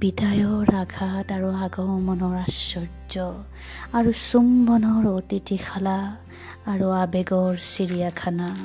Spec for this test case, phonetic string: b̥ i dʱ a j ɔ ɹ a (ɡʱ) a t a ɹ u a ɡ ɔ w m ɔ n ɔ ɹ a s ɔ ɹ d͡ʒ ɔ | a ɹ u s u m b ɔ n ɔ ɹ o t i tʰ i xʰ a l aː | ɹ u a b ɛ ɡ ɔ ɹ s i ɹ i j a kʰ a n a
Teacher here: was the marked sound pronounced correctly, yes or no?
yes